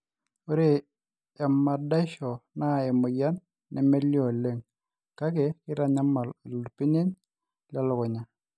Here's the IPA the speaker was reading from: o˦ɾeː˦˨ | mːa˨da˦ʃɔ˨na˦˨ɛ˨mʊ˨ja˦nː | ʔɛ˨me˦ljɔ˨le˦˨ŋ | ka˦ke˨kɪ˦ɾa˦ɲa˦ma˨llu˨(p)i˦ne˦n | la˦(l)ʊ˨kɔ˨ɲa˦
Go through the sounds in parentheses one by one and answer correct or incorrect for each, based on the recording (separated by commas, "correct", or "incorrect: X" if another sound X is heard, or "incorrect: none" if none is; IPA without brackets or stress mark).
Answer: correct, correct